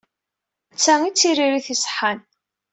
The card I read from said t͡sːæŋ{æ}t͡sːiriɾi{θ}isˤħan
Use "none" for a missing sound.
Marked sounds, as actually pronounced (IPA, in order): i, θ

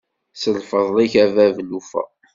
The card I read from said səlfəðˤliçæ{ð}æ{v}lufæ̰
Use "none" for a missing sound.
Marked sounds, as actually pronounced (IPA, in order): v, v

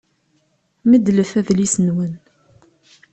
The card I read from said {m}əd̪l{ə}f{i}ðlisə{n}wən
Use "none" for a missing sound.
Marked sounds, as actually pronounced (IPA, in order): m, ə, æ, n

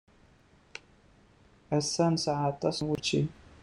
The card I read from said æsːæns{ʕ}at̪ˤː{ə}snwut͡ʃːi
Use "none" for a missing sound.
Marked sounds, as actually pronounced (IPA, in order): ʕ, ɑ

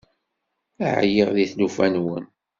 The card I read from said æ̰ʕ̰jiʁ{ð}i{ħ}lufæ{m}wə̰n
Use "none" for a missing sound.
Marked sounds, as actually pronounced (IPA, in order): ð, θ, n

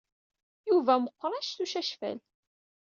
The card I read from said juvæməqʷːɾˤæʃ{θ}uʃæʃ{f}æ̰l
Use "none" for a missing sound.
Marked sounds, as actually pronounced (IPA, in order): θ, f

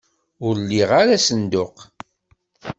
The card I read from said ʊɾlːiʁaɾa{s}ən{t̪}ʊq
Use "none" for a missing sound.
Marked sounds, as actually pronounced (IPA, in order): s, d̪

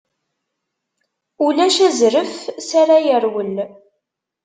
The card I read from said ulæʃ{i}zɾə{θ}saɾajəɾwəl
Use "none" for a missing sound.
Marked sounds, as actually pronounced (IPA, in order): æ, f

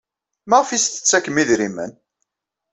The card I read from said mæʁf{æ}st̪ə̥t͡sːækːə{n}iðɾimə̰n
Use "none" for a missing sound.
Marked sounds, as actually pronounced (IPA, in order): i, m

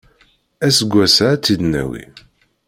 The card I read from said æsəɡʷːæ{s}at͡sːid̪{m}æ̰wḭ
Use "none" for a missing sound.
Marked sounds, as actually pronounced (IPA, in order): s, n

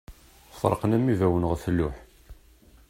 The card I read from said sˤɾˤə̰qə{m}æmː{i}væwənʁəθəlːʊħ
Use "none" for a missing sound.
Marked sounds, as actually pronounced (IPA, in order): n, i

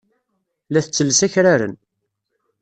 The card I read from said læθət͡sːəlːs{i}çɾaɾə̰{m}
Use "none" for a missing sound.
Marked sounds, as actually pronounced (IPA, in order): æ, n

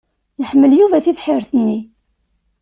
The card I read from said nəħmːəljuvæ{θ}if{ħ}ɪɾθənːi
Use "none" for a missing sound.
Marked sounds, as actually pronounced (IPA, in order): θ, ħ

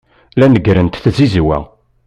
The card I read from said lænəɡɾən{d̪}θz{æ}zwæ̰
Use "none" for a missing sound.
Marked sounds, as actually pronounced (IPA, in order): t̪, i

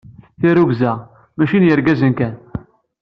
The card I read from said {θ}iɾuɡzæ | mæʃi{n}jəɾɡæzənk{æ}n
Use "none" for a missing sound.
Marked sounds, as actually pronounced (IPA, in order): θ, n, æ

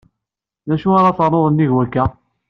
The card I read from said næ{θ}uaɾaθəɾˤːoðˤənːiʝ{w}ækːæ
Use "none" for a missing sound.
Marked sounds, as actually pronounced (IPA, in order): ʃ, w

